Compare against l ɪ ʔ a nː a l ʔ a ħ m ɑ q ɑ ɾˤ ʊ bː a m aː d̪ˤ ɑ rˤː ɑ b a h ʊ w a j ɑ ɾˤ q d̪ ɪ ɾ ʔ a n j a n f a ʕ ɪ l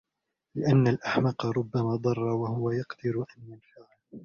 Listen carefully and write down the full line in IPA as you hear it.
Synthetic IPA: l ɪ ʔ a nː a l ʔ a ħ m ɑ q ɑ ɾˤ ʊ bː a m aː d̪ˤ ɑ rˤː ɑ w a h ʊ w a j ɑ q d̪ ɪ ɾ ʔ a n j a n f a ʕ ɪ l